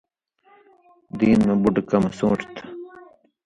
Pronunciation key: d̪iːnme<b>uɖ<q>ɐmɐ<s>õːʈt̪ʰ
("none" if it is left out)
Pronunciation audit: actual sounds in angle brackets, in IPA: b, k, s

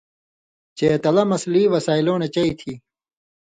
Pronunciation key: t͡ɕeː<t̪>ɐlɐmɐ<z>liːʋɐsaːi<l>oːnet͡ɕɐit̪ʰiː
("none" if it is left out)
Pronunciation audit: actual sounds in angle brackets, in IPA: t̪, s, l

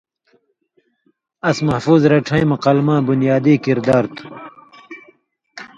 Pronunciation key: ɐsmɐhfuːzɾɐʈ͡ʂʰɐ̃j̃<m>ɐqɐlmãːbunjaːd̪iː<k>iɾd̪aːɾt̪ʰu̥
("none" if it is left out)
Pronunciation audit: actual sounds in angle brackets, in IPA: m, k

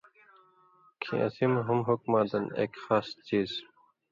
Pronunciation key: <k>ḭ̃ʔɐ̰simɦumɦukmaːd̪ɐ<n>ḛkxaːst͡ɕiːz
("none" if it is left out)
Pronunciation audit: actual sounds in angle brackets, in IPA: kʰ, n

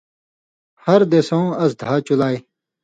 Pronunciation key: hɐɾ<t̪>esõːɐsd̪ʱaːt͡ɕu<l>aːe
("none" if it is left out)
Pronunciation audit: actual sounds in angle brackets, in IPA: d̪, l

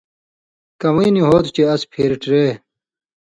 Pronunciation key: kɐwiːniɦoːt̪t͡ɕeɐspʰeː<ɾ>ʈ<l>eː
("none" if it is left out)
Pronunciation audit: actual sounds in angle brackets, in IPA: ɾ, ɾ

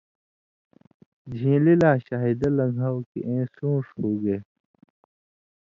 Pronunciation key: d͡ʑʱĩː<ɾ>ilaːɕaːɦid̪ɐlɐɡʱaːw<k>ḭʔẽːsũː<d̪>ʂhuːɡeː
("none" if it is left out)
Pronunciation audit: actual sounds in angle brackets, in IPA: l, k, none

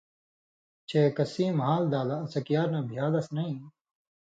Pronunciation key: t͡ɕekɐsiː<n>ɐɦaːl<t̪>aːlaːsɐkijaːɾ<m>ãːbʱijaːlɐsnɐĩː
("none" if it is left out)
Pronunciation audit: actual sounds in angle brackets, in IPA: m, d̪, n

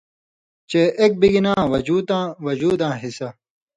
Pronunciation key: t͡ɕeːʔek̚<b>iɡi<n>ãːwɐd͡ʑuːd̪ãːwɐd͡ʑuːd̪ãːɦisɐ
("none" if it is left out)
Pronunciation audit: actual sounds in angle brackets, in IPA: b, n

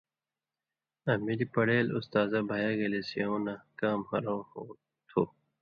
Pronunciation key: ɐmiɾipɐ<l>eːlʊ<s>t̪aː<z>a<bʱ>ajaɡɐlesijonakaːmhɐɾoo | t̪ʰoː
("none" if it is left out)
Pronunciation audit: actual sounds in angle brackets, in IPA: ɽ, s, z, bʱ

